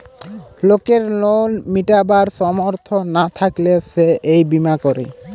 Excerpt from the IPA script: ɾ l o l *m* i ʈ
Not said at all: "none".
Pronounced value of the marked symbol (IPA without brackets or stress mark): m